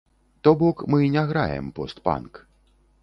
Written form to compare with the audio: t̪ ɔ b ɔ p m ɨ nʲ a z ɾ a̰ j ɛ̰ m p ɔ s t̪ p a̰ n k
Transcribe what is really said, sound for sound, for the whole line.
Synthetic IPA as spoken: t̪ ɔ b ɔ k m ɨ nʲ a ɣ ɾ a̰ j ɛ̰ m p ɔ s t̪ p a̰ n k